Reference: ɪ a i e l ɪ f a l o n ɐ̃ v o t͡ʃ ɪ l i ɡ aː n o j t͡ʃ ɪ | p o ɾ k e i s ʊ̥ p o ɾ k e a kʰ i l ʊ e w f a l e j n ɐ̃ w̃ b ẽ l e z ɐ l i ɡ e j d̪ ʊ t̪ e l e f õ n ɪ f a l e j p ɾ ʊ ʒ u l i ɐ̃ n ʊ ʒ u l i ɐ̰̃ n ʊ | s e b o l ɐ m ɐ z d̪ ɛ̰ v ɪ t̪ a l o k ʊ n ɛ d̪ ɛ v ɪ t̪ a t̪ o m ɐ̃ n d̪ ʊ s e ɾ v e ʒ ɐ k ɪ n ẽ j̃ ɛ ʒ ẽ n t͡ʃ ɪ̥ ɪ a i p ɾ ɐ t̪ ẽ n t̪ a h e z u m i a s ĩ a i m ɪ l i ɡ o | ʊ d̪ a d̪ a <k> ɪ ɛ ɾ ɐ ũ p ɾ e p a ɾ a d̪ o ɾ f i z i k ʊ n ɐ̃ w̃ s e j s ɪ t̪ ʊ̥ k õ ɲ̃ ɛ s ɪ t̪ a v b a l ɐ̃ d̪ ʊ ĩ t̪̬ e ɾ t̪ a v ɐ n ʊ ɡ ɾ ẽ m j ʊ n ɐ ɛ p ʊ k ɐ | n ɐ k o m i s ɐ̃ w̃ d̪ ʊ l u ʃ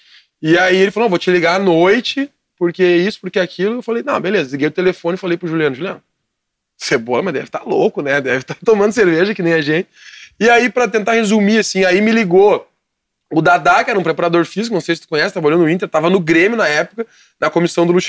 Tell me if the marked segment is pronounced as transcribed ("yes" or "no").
yes